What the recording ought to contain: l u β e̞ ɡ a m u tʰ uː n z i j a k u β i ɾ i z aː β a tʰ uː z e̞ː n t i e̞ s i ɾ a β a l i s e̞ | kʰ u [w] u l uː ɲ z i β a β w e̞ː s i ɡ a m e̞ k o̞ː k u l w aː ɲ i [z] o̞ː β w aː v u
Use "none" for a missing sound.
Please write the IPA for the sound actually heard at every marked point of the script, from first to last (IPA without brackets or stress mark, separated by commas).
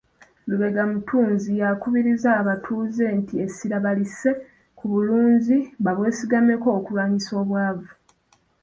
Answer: β, s